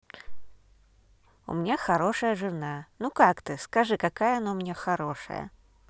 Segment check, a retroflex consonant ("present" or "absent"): present